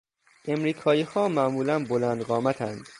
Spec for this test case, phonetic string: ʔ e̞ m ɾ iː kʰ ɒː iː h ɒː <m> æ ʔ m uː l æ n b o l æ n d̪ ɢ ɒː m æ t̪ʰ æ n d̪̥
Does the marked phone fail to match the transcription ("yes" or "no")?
no